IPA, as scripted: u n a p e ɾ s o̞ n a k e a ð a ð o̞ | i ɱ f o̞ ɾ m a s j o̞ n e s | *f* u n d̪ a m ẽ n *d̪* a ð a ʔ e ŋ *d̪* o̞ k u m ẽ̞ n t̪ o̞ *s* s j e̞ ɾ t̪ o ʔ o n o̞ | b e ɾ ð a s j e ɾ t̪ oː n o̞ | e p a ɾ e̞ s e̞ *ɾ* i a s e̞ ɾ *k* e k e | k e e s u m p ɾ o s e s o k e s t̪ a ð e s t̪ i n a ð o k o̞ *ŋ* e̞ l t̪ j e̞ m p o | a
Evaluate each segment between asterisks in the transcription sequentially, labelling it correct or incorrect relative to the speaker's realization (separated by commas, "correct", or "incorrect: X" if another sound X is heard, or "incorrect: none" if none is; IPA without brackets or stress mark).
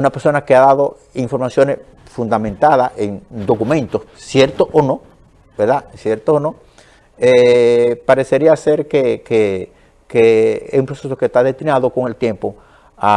correct, incorrect: t̪, correct, correct, correct, correct, correct